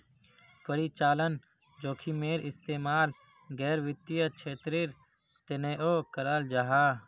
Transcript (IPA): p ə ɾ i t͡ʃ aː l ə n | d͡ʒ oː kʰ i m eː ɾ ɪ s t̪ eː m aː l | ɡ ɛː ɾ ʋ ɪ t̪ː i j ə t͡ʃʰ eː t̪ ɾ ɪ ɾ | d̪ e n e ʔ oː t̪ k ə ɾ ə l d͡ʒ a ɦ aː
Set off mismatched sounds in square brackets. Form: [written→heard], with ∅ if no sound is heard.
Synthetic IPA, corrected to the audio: p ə ɾ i t͡ʃ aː l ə n | d͡ʒ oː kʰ i m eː ɾ ɪ s t̪ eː m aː l | ɡ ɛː ɾ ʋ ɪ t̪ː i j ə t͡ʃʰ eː t̪ ɾ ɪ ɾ | [d̪→t̪] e n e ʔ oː [t̪→∅] k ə ɾ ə l d͡ʒ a ɦ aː